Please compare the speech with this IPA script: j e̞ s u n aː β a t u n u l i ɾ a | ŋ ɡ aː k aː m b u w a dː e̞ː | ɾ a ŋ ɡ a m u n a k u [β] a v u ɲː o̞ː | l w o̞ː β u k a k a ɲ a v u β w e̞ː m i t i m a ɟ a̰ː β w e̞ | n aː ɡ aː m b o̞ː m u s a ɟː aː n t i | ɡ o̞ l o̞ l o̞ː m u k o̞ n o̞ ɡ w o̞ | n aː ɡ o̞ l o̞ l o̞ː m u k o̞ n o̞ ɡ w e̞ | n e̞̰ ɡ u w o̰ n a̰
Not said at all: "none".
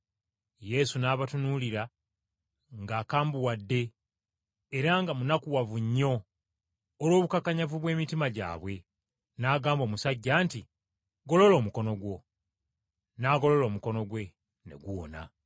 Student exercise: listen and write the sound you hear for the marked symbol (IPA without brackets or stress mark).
w